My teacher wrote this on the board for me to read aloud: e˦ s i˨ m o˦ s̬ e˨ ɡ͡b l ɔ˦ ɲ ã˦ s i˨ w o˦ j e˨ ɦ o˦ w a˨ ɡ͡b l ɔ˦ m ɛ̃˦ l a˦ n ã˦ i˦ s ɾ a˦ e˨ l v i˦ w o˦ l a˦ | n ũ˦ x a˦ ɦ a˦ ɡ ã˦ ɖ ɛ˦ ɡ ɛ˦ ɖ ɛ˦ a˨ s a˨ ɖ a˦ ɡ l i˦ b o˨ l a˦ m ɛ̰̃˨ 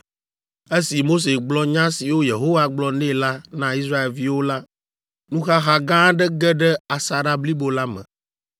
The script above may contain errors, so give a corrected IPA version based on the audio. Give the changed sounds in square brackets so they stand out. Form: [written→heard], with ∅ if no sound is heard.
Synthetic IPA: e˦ s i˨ m o˦ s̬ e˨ ɡ͡b l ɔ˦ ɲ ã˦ s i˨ w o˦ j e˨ ɦ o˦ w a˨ ɡ͡b l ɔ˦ [m→n] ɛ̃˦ l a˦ n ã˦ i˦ s ɾ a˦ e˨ l v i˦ w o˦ l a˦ | n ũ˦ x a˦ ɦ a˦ ɡ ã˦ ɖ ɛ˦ ɡ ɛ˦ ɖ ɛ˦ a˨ s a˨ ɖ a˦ [ɡ→b] l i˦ b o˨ l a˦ m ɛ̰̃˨